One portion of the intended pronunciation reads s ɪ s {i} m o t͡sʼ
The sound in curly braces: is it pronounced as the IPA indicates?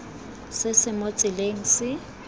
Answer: no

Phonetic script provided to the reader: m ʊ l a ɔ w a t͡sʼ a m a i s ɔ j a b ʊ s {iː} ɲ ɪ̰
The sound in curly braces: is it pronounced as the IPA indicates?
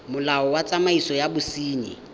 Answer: yes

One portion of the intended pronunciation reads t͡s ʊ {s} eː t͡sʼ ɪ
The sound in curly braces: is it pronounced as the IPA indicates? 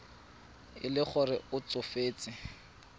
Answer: no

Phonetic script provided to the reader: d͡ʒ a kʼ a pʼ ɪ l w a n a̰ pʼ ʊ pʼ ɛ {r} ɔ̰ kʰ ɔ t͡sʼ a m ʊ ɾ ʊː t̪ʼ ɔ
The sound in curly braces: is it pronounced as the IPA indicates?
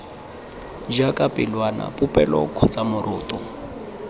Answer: no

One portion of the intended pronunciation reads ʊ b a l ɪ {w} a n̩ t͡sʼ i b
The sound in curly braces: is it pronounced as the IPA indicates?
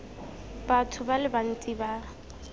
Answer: no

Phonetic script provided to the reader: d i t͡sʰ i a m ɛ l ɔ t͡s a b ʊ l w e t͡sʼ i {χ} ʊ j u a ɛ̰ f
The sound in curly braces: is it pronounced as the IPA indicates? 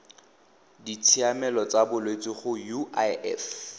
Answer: yes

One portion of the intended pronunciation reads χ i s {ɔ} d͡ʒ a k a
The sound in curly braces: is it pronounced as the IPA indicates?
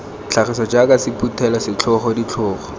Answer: yes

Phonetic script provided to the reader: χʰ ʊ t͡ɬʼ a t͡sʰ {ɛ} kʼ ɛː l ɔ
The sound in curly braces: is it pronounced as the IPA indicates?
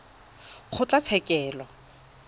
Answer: yes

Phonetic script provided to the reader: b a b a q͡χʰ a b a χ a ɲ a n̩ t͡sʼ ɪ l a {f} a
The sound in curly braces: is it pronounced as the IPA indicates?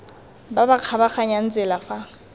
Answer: yes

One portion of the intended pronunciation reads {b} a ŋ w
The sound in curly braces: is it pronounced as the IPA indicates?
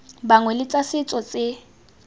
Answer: yes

